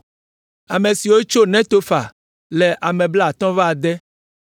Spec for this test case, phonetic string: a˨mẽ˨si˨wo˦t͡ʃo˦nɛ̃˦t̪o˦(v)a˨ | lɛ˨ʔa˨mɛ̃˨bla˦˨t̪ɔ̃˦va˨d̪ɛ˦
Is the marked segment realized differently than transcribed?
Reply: yes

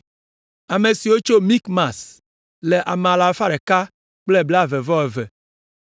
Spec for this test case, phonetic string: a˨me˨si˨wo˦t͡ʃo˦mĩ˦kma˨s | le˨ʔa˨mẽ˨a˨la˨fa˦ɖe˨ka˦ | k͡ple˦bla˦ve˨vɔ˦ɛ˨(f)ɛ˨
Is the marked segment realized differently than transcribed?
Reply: yes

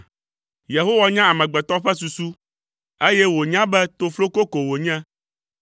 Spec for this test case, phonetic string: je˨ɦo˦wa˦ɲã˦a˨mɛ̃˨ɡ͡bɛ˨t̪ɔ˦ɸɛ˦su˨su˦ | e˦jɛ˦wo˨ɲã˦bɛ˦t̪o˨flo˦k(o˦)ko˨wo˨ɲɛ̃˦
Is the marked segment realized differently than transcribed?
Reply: no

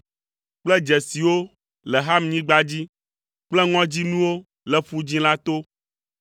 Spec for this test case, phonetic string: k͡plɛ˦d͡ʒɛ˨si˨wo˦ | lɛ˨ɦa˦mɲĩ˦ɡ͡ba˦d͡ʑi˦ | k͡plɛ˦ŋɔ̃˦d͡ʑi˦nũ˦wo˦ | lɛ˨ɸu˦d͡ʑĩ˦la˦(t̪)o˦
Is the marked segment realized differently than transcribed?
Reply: no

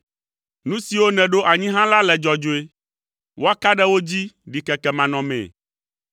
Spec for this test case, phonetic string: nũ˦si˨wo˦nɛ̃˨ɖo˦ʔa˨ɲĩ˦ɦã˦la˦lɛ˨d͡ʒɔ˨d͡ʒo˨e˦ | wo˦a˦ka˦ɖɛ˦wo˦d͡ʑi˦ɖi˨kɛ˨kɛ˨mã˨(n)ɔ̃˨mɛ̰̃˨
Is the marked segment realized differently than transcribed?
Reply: no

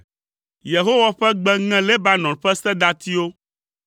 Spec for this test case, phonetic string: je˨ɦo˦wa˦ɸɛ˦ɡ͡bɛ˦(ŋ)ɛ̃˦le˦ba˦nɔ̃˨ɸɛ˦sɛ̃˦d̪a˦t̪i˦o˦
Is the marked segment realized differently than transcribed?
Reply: no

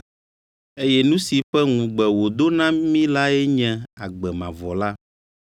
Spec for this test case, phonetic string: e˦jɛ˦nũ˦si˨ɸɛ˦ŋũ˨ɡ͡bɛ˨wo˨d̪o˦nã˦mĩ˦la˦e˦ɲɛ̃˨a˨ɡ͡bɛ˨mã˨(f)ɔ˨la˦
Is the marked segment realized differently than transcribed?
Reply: yes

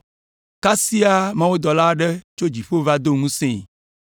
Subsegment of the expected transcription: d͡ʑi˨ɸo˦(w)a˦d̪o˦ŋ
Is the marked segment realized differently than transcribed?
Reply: yes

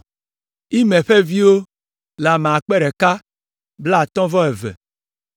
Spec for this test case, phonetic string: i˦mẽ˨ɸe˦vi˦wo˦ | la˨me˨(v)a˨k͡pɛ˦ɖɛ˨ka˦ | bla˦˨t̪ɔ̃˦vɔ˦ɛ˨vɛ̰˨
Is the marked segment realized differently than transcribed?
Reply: yes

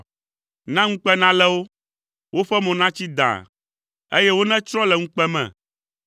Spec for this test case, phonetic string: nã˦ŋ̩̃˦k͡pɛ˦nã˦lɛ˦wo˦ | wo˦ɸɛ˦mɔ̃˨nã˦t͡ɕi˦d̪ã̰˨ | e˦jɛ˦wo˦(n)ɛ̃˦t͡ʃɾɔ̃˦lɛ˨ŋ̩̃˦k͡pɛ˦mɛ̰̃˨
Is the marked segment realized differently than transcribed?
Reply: no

